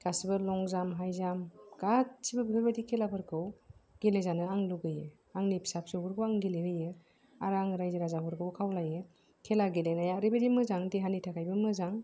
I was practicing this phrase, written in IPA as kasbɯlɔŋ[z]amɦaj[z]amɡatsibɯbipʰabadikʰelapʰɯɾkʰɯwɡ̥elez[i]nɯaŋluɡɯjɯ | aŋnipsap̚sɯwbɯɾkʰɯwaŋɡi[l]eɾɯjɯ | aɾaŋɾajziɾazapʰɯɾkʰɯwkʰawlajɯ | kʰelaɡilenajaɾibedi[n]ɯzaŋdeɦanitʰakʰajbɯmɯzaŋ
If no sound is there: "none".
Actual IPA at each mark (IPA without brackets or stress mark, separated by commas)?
z, z, a, l, m